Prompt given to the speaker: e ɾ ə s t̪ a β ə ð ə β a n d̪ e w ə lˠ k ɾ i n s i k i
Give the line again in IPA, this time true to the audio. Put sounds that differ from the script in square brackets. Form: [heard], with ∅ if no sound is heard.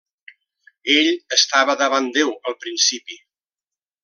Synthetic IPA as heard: e [ʎ] ə s t̪ a β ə ð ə β a n d̪ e w ə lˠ [p] ɾ i n s i [p] i